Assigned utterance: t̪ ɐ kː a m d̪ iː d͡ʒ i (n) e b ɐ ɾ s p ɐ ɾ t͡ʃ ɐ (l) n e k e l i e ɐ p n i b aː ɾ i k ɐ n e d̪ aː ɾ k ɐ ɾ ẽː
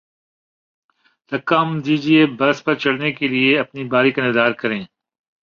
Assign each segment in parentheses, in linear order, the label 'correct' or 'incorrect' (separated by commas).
incorrect, incorrect